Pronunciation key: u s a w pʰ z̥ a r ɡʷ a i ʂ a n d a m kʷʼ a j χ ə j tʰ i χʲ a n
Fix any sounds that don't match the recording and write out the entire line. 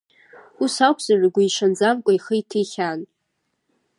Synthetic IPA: u s a w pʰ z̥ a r ɡʷ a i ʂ a n d͡z a m kʷʼ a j χ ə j tʰ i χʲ a n

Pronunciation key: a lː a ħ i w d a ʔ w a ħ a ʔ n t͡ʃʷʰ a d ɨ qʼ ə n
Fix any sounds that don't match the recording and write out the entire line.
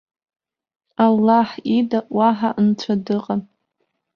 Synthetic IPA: a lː a ħ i d a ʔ w a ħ a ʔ n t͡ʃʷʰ a d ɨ qʼ a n

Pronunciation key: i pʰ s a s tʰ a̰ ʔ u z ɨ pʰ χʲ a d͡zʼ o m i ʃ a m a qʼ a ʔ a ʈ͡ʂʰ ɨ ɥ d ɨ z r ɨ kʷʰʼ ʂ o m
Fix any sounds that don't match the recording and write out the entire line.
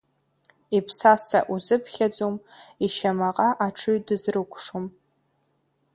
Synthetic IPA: i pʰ s a s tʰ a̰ ʔ u z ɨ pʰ χʲ a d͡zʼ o m i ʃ a m a qʼ a ʔ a ʈ͡ʂʰ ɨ ɥ d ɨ z r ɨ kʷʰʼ ʂ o m

